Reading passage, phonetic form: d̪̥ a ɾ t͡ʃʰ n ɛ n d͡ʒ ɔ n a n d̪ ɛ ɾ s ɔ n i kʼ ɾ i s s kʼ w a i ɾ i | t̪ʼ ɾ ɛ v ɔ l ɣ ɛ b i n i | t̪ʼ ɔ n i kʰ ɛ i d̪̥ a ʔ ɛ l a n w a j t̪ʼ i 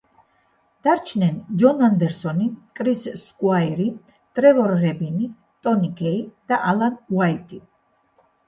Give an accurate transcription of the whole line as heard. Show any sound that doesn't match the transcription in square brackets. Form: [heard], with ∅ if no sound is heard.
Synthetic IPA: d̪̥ a ɾ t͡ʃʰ n ɛ n d͡ʒ ɔ n a n d̪ ɛ ɾ s ɔ n i kʼ ɾ i s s kʼ w a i ɾ i | t̪ʼ ɾ ɛ v ɔ [ɾ] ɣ ɛ b i n i | t̪ʼ ɔ n i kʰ ɛ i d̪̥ a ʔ [a] l a n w a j t̪ʼ i